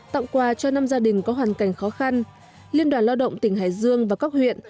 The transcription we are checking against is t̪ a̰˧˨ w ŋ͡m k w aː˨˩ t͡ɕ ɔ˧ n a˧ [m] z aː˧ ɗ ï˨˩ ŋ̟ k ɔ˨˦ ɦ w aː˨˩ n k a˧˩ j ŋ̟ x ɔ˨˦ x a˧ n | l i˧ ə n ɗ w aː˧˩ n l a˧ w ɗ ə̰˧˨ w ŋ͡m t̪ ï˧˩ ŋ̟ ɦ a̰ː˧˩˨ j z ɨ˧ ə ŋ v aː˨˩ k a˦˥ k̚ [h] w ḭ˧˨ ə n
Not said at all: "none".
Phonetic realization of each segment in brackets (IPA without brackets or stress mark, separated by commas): m, h